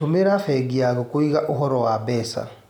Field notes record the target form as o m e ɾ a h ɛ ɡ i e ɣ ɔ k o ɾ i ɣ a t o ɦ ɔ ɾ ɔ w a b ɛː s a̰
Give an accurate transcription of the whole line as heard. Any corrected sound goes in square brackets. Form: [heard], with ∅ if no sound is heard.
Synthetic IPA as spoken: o m e ɾ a [f] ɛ ɡ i [a] ɣ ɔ k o [∅] i ɣ a [ʔ] o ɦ ɔ ɾ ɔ w a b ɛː s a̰